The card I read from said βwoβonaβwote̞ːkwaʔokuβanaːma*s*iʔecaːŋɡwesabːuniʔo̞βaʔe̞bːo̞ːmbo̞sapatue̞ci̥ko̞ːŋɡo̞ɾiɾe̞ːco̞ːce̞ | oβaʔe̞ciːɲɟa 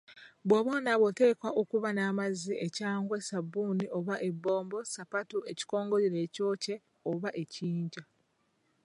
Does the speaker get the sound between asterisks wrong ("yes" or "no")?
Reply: yes